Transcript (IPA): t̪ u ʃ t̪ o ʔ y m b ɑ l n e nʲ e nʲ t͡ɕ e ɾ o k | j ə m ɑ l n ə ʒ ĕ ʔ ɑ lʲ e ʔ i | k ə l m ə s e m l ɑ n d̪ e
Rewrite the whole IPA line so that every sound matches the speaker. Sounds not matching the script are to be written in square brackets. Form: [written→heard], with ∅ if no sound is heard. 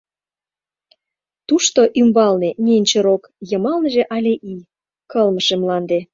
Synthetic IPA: t̪ u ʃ t̪ o ʔ y m b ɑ l n e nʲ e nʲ t͡ɕ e ɾ o k | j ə m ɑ l n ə ʒ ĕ ʔ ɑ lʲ e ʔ i | k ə l m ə [s→ʃ] e m l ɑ n d̪ e